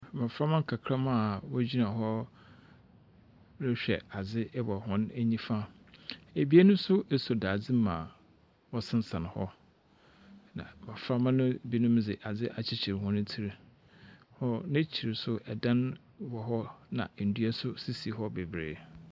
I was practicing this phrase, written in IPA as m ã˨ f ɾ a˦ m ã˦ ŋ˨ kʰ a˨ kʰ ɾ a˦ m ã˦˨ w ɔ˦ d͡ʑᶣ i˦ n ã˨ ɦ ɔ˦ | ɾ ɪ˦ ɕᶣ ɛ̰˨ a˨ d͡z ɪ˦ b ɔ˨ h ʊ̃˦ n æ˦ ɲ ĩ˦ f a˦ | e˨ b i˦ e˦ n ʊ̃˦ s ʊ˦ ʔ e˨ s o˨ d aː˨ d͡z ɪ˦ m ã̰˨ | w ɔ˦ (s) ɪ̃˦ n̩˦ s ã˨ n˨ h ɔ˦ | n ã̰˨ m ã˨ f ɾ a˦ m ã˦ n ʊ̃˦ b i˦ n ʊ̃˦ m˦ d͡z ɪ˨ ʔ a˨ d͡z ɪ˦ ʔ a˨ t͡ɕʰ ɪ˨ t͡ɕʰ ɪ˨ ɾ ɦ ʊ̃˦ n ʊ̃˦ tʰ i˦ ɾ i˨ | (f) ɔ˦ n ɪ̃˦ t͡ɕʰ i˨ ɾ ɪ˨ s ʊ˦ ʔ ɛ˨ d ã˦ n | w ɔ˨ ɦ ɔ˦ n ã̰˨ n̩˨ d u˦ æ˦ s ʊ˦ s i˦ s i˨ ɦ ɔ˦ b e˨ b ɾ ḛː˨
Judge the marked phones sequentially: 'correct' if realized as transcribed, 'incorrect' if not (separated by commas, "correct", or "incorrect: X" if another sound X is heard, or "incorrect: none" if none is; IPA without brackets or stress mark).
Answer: correct, incorrect: h